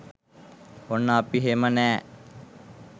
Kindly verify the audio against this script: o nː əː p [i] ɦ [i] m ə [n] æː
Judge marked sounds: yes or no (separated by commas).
yes, no, yes